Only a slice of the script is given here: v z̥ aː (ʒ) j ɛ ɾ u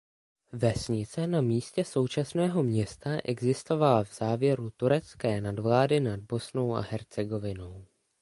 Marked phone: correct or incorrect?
incorrect